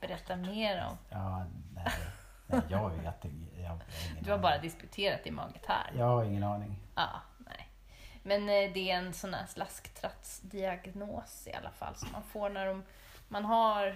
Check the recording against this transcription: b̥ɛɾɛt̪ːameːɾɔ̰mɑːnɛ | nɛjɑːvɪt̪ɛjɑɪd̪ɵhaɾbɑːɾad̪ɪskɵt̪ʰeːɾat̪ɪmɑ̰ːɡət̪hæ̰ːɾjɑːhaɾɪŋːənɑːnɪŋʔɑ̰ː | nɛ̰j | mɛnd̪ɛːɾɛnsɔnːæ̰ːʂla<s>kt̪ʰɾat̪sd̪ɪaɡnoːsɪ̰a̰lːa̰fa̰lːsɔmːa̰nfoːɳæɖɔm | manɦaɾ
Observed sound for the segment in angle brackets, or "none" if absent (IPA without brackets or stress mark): s